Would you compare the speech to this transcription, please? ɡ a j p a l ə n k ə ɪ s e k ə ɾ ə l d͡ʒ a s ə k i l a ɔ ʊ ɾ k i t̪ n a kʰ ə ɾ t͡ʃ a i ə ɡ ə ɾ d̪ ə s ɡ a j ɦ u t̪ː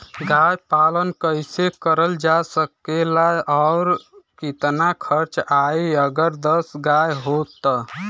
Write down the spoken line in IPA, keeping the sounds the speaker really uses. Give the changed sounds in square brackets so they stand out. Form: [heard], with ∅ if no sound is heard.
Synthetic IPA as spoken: ɡ a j p a l ə n k ə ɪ s e k ə ɾ ə l d͡ʒ a s ə k [e] l a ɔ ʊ ɾ k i t̪ n a kʰ ə ɾ t͡ʃ a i ə ɡ ə ɾ d̪ ə s ɡ a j ɦ [o] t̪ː